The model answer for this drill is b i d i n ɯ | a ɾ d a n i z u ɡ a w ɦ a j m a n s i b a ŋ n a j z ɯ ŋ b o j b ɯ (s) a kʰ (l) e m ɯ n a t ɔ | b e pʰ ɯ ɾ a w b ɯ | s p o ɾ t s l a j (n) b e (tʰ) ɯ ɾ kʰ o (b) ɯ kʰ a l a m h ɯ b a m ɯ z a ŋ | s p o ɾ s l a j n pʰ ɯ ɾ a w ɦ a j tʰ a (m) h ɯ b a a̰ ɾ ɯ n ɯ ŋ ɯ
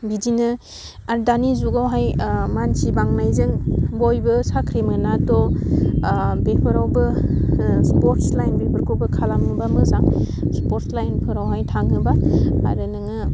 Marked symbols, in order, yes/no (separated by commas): yes, no, yes, no, yes, no